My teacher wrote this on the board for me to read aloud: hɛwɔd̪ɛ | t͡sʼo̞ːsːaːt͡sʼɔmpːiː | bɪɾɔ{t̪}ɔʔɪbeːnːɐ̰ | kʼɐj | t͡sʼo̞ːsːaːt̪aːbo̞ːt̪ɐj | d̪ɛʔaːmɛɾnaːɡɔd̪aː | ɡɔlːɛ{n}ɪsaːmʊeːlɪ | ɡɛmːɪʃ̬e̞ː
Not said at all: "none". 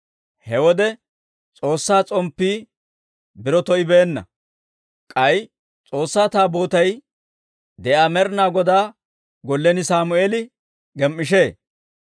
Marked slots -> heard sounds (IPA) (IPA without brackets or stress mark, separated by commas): t̪, n